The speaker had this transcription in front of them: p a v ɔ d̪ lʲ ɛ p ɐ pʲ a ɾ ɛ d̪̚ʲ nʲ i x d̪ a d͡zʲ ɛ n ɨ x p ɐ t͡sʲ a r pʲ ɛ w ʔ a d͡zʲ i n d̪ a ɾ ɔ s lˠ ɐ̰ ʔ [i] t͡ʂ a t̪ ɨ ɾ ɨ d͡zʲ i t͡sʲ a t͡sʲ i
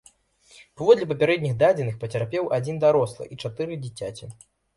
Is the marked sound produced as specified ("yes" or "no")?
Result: yes